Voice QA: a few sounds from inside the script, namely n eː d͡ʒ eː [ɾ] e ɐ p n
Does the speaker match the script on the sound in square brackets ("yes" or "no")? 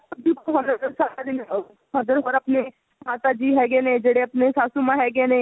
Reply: no